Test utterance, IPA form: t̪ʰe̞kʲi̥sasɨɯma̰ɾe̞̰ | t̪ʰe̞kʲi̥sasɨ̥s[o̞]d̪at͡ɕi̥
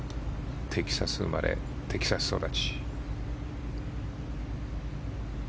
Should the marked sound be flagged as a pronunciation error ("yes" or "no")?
no